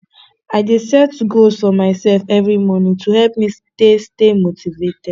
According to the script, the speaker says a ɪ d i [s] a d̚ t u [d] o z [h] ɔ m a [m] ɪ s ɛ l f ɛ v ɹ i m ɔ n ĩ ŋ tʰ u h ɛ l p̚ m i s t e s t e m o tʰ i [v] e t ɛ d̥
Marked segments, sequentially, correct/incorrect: correct, incorrect: ɡ, incorrect: f, incorrect: none, correct

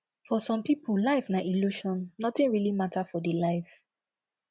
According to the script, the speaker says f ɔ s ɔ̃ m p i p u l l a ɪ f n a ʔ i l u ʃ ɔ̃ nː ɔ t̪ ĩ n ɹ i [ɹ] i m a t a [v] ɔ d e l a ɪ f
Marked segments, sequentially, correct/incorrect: incorrect: l, incorrect: f

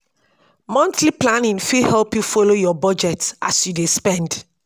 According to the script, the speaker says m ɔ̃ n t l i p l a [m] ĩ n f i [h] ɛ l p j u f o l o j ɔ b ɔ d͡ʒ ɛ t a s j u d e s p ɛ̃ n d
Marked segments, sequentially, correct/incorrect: incorrect: n, correct

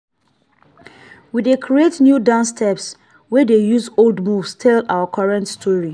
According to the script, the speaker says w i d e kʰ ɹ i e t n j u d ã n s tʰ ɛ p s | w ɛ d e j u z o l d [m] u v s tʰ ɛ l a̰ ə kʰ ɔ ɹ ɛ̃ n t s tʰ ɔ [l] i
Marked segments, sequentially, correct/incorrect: correct, incorrect: ɹ

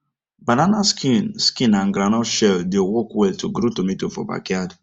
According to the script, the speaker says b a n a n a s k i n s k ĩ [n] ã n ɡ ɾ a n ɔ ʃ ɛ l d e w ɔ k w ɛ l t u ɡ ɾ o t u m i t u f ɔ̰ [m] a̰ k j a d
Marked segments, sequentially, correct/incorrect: correct, incorrect: b

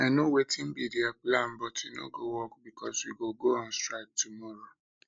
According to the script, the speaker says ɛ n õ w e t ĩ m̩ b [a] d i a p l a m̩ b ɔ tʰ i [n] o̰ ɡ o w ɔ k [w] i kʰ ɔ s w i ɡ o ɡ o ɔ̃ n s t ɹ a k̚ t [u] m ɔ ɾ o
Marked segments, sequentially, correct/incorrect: incorrect: i, correct, incorrect: b, correct

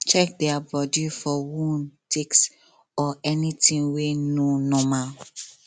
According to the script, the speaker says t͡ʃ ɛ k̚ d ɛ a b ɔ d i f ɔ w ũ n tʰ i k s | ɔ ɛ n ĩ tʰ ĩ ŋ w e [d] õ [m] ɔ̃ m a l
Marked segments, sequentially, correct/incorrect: incorrect: n, incorrect: n

